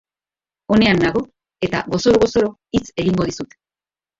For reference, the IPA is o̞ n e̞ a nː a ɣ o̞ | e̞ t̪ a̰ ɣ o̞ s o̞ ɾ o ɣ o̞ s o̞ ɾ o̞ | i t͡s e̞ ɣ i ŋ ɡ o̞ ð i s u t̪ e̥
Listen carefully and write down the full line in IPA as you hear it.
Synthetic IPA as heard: o̞ n e̞ a nː a ɣ o̞ | e̞ t̪ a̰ ɣ o̞ s o̞ ɾ o ɣ o̞ s o̞ ɾ o̞ | i t͡s e̞ ɣ i ŋ ɡ o̞ ð i s u t̪ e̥